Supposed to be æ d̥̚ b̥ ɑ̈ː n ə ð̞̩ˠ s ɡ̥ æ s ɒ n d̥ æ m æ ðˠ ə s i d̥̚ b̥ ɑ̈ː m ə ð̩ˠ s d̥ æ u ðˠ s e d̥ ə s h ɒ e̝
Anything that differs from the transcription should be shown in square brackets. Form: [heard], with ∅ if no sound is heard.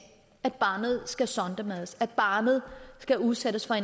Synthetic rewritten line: æ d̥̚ b̥ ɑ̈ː n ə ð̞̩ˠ s ɡ̥ æ s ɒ n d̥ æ m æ ðˠ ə s [æ] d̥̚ b̥ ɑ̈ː [n] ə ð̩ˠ s [ɡ̥] æ u ðˠ s e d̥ ə s [f] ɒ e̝